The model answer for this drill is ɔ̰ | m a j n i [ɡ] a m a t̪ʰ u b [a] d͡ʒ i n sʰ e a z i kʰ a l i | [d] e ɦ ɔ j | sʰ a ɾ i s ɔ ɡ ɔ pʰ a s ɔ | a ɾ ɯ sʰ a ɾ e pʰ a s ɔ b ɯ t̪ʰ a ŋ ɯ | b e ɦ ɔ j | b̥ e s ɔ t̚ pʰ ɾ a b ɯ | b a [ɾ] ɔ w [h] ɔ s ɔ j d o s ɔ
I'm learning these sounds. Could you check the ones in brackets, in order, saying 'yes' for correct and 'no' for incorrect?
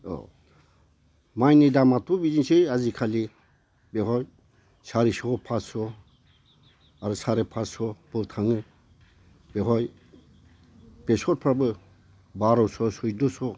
no, no, no, yes, no

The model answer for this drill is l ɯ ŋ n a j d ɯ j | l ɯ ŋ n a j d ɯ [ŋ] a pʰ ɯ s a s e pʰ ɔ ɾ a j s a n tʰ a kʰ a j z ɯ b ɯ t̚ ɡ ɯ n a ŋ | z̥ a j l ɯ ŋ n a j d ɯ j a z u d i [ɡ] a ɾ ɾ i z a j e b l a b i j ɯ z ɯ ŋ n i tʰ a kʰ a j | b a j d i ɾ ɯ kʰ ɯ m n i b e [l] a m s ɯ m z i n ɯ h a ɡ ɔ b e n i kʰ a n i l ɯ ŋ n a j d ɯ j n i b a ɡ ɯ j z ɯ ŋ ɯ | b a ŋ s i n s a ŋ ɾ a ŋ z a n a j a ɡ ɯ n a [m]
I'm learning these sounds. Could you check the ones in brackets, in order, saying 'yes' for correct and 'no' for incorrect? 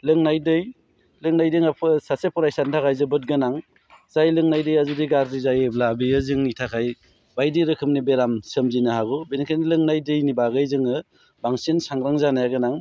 yes, yes, no, no

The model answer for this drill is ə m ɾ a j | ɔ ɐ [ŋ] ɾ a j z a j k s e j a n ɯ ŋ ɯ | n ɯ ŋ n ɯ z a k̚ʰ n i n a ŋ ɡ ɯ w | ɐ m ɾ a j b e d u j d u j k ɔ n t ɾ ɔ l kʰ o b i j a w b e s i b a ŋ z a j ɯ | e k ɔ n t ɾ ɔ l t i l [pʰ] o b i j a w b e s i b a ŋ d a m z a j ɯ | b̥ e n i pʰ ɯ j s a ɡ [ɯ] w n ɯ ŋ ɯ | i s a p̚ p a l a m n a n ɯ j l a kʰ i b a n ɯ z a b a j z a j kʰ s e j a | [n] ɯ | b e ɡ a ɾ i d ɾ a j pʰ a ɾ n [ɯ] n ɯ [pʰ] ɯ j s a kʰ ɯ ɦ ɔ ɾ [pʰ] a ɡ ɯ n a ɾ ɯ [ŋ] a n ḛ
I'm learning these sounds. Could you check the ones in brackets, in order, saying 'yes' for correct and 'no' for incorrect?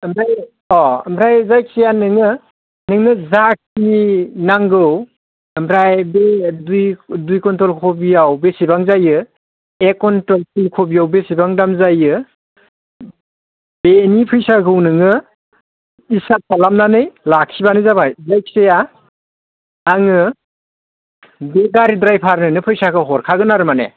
no, no, yes, no, yes, yes, no, no

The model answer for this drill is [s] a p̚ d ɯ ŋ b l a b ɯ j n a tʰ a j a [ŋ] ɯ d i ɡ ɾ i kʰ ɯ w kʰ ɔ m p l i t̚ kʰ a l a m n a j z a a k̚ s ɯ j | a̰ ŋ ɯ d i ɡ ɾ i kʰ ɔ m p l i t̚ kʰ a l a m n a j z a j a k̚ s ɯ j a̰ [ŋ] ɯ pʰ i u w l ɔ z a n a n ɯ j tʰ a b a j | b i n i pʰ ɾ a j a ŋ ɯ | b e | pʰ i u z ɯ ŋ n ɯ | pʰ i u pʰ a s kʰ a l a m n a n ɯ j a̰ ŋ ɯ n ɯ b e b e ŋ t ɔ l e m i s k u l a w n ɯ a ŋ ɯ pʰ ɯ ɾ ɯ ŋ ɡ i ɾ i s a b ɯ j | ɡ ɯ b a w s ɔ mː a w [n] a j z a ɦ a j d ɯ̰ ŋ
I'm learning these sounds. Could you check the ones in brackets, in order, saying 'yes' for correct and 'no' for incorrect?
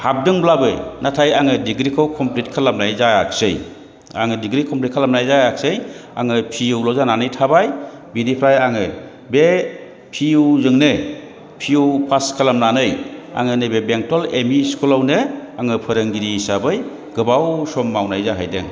no, yes, yes, yes

